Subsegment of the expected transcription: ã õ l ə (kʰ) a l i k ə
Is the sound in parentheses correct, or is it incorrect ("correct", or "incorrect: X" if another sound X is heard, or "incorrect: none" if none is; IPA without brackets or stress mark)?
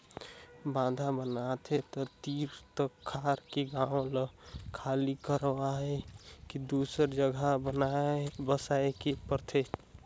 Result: correct